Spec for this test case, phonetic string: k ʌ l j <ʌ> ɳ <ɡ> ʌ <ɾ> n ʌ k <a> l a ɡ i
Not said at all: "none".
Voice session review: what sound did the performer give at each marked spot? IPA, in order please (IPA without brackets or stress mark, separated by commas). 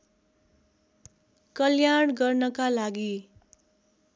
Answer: a, ɡ, r, a